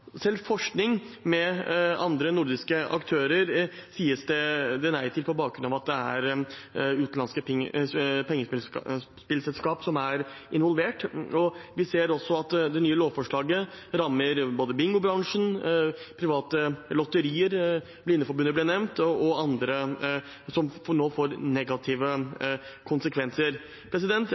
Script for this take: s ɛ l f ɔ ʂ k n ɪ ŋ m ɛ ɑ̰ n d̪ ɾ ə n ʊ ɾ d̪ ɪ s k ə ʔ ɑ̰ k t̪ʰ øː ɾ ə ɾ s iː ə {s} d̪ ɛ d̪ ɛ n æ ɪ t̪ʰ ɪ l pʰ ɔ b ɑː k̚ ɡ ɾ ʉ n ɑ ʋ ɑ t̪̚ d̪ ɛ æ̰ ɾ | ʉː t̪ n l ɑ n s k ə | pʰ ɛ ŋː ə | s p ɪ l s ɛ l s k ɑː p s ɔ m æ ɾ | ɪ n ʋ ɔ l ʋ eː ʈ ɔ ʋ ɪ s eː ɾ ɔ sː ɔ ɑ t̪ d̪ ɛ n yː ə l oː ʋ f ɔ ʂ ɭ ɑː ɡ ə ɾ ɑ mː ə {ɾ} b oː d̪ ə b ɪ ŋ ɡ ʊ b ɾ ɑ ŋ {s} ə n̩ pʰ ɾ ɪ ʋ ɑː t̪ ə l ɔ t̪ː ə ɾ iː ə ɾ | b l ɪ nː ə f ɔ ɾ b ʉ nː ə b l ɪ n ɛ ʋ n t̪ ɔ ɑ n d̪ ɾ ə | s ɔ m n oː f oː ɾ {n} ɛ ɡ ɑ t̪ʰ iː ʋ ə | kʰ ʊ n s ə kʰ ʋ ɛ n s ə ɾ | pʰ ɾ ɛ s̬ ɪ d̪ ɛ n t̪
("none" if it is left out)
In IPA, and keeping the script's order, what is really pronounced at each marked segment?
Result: s, ɾ, ʂ, n

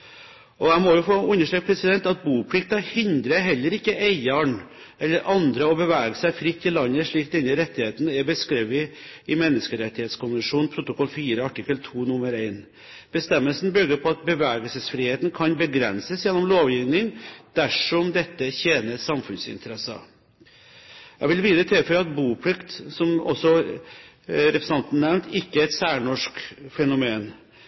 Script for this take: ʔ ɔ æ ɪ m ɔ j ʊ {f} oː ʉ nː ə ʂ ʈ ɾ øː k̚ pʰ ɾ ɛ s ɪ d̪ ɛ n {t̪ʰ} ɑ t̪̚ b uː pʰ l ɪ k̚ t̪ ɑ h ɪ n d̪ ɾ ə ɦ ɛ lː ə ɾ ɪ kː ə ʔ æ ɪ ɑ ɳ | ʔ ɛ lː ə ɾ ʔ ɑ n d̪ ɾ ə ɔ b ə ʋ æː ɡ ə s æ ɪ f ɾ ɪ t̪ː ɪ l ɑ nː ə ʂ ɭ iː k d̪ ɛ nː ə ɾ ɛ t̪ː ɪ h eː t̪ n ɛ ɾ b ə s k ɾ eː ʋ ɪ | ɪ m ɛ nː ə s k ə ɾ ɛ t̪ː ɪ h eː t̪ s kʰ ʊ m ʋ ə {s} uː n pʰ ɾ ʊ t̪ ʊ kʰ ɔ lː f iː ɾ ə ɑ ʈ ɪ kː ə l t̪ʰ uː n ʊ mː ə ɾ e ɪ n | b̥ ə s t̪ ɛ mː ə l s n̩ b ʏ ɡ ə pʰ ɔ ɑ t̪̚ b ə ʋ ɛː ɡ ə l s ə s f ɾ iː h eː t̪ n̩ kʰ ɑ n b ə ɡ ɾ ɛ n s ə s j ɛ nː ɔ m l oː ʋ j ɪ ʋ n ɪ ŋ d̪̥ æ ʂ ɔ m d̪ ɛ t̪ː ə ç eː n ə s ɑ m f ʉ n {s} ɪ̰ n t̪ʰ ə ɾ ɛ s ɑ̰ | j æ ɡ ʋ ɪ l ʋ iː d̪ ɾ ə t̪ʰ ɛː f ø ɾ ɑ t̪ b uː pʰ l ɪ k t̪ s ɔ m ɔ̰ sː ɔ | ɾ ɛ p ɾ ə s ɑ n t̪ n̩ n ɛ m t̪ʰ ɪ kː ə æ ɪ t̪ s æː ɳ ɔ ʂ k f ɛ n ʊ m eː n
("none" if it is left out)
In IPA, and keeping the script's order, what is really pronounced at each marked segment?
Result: f, t̪, ʂ, s

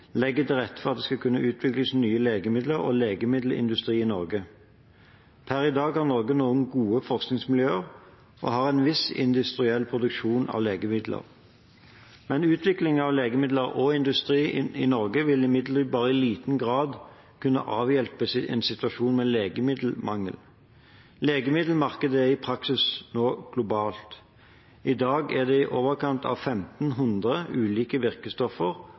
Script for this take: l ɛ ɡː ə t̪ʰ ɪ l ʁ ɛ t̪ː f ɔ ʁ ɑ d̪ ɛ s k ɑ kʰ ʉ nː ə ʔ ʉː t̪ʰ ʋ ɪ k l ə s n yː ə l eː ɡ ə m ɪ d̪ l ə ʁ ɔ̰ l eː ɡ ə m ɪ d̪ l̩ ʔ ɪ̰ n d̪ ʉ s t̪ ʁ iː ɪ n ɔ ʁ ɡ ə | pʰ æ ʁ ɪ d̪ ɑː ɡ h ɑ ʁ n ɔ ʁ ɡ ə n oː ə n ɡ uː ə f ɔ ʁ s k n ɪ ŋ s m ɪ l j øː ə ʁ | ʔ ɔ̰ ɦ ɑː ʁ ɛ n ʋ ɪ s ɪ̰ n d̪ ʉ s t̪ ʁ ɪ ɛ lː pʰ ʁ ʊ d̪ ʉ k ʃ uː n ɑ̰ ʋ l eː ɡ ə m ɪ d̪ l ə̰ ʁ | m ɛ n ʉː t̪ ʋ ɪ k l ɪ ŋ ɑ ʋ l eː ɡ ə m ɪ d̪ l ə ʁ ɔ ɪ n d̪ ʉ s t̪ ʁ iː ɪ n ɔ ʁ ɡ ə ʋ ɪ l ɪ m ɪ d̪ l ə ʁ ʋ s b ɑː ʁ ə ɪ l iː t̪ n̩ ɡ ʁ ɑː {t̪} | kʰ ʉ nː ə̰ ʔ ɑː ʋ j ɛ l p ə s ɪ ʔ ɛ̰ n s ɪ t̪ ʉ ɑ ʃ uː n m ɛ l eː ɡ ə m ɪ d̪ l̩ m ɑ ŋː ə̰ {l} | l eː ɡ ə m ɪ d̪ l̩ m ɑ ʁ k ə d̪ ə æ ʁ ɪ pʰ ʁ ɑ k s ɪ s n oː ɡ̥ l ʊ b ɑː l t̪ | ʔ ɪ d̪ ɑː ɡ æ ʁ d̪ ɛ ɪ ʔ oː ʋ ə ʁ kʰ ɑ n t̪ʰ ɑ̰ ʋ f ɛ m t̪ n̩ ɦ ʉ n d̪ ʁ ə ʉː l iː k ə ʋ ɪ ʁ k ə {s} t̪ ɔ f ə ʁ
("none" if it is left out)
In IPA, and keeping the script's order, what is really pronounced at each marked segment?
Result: d̪, l, s

